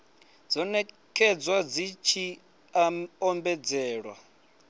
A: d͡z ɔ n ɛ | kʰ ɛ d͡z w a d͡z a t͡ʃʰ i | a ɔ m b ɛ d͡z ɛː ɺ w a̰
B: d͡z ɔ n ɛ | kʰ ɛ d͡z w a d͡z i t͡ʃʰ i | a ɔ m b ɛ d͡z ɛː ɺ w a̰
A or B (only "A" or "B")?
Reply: B